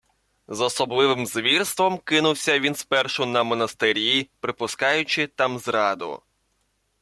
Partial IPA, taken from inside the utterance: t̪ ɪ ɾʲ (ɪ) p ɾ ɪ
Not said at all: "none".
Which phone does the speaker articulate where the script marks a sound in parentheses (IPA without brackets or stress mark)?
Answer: i